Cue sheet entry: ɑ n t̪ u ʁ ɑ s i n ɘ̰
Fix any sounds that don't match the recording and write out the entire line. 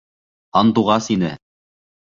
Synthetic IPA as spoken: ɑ n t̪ u ʁ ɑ s i n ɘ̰